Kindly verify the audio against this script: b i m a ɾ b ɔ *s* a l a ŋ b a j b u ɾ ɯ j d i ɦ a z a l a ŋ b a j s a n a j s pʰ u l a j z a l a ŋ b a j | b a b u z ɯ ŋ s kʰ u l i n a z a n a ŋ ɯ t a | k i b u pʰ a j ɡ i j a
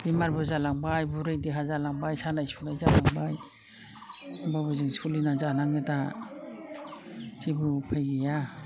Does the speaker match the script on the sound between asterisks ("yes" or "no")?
no